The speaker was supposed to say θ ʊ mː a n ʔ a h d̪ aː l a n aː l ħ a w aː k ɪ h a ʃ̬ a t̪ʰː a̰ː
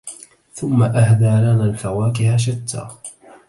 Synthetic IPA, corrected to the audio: θ ʊ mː a ʔ a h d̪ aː l a n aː l f a w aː k ɪ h a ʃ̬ a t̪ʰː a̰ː